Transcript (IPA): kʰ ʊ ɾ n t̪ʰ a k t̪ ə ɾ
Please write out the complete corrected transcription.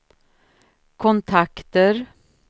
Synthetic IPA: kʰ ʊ n t̪ʰ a k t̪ ə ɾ